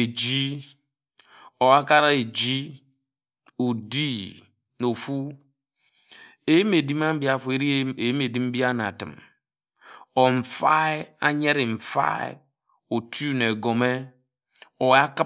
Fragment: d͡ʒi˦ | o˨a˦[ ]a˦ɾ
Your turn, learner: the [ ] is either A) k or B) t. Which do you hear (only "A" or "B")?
A